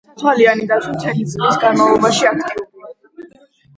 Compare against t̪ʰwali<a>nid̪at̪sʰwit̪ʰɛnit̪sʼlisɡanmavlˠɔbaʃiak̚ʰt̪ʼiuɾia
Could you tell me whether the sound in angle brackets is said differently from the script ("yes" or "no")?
no